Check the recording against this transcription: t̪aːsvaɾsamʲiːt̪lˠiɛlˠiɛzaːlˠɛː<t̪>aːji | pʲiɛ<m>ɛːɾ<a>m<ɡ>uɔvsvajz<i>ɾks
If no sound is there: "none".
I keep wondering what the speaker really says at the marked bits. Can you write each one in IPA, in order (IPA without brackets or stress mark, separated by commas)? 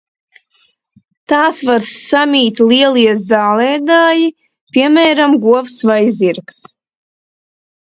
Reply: d̪, m, a, ɡ, i